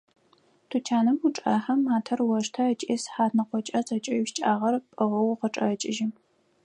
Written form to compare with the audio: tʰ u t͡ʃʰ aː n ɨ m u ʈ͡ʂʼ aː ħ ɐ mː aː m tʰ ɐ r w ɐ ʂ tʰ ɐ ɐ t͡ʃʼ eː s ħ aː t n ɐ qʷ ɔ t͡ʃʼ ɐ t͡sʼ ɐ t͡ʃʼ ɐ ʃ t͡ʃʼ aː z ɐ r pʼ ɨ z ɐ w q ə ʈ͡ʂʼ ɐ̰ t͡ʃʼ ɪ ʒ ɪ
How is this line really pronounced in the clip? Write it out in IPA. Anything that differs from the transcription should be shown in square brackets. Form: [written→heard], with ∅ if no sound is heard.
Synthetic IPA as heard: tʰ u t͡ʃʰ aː n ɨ m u ʈ͡ʂʼ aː ħ ɐ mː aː [m→∅] tʰ ɐ r w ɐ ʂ tʰ ɐ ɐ t͡ʃʼ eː s ħ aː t n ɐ qʷ ɔ t͡ʃʼ ɐ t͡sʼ ɐ t͡ʃʼ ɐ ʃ t͡ʃʼ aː [z→ʁ] ɐ r pʼ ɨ [z→ʁ] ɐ w q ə ʈ͡ʂʼ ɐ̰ t͡ʃʼ ɪ ʒ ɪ